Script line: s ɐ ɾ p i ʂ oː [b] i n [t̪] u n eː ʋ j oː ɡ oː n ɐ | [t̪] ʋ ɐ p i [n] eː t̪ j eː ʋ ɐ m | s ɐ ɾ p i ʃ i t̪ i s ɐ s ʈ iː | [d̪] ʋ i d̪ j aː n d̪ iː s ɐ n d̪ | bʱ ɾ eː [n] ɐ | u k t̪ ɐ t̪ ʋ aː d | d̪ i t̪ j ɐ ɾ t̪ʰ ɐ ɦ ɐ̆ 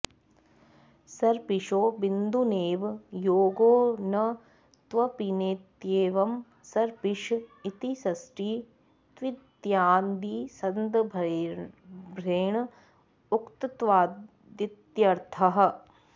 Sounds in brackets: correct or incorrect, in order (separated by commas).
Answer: correct, incorrect, correct, correct, incorrect, incorrect